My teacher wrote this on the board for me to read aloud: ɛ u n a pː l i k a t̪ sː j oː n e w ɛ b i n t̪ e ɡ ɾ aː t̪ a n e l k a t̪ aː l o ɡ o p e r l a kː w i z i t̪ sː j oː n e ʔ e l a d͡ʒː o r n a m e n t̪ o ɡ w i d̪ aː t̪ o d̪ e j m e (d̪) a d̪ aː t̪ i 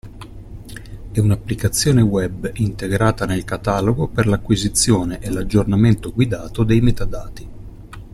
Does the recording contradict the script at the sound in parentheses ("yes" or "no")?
yes